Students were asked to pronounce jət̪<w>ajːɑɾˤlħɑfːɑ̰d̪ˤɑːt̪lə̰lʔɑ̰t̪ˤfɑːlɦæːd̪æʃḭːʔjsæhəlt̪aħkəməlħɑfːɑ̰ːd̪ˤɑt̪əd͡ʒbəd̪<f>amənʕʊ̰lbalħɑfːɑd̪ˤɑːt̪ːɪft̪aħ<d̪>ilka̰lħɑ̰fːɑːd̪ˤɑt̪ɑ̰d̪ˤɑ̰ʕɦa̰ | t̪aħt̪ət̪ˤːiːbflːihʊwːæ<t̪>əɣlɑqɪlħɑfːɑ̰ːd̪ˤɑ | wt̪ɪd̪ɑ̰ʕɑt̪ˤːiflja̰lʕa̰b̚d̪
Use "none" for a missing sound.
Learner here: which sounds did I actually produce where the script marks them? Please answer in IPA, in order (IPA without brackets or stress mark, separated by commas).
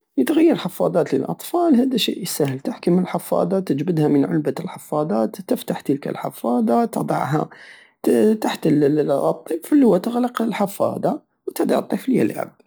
ɣ, h, t̪, t̪